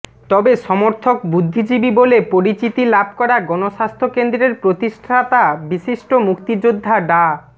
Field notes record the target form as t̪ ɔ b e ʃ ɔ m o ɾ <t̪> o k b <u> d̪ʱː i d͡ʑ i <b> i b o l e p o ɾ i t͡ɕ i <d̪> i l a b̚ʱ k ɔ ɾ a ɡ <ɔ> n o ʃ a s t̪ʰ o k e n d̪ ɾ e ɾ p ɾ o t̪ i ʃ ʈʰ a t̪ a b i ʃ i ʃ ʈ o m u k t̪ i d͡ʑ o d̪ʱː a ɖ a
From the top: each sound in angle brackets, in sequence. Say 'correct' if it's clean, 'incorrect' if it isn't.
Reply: incorrect: t̪ʰ, correct, correct, incorrect: t̪, correct

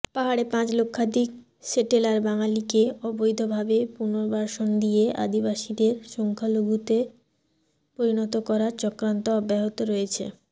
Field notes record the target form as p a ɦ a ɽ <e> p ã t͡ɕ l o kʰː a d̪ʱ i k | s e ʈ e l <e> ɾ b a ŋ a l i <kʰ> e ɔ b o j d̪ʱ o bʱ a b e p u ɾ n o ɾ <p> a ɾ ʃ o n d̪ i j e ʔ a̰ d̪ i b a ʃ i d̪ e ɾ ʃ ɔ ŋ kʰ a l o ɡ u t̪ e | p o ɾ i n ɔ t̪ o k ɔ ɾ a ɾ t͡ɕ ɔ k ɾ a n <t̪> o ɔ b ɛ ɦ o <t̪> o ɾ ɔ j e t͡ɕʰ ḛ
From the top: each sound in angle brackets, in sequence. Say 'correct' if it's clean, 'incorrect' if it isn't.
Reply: correct, incorrect: a, incorrect: k, incorrect: b, correct, correct

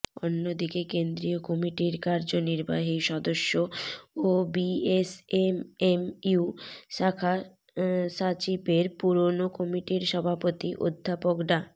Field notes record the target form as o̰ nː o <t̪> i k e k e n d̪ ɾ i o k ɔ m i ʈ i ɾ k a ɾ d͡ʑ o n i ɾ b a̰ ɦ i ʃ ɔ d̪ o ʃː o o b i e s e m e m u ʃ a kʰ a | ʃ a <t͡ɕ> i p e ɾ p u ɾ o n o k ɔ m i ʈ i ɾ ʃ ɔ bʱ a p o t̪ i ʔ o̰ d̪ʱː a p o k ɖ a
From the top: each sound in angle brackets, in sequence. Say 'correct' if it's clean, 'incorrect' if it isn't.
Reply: incorrect: d̪, correct

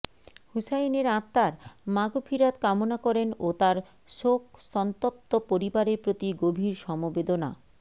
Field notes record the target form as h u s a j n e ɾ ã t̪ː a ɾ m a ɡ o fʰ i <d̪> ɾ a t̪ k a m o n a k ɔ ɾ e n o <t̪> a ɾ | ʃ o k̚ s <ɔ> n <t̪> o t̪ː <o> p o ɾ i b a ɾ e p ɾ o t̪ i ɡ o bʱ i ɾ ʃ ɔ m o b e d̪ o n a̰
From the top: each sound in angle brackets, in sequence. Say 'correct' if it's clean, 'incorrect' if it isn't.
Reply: incorrect: none, correct, correct, correct, correct

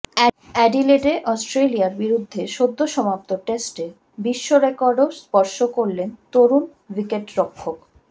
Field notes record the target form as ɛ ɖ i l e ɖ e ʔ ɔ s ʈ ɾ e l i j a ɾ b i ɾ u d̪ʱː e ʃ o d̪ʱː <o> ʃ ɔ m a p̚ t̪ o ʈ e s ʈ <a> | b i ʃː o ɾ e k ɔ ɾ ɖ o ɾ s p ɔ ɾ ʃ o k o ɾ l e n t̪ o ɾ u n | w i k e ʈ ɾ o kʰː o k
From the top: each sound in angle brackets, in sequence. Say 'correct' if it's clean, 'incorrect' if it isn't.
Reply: correct, incorrect: e

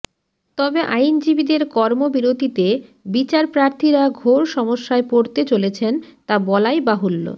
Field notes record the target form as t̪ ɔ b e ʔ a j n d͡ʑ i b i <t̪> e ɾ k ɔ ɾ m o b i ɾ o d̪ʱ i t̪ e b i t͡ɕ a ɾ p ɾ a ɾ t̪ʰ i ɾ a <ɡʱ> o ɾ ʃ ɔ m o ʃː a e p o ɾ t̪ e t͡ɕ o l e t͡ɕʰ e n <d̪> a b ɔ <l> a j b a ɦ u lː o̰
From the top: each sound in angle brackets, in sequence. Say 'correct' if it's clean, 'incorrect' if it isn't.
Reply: incorrect: d̪, correct, incorrect: t̪, correct

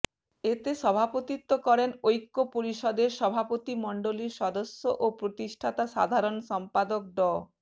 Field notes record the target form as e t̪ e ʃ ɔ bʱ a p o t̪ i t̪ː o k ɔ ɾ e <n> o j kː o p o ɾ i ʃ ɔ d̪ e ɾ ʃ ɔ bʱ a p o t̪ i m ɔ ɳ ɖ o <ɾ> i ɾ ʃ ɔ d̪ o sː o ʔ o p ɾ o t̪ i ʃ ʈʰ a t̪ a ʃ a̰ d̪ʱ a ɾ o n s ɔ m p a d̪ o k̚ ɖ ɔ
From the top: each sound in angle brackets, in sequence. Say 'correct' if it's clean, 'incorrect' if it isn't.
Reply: correct, incorrect: l

